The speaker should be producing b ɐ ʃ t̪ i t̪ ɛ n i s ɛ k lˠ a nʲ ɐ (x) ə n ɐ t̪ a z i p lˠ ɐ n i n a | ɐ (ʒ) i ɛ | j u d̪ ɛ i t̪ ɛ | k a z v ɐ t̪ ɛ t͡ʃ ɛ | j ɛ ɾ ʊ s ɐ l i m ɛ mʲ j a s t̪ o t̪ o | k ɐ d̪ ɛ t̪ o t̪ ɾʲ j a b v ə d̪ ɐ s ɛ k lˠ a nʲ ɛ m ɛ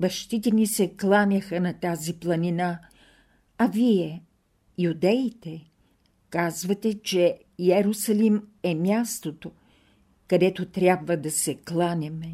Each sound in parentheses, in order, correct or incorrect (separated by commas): correct, incorrect